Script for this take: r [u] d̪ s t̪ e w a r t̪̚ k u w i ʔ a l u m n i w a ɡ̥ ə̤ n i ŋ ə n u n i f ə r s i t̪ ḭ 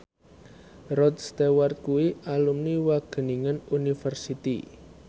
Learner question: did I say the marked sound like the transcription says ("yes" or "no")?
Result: no